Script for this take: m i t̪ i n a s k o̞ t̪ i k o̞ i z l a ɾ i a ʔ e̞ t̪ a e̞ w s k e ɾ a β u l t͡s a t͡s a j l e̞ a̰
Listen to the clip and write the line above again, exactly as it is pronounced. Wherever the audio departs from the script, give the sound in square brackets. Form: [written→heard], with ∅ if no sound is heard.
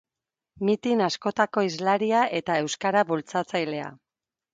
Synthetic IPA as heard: m i t̪ i n a s k o̞ t̪ [i→a] k o̞ i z l a ɾ i a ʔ e̞ t̪ a e̞ w s k [e→a] ɾ a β u l t͡s a t͡s a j l e̞ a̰